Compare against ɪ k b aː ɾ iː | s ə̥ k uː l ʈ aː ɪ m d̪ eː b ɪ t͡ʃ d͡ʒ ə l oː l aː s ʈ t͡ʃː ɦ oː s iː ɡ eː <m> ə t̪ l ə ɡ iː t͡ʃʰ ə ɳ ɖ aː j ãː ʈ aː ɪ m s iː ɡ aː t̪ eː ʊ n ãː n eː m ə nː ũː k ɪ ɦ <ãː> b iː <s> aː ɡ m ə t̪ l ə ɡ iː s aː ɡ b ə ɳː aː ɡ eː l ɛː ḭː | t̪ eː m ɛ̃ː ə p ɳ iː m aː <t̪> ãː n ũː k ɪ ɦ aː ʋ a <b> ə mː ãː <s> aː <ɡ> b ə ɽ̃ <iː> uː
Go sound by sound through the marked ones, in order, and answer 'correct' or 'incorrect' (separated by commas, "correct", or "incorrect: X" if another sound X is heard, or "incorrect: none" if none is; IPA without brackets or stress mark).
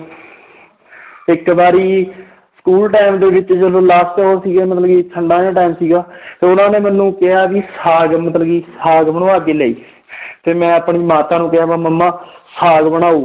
correct, incorrect: aː, correct, correct, incorrect: m, correct, correct, incorrect: aː